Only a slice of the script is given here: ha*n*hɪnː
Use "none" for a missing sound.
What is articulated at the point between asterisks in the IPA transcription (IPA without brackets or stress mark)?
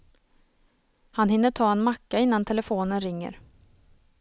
n